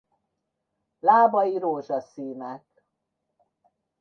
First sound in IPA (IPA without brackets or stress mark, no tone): l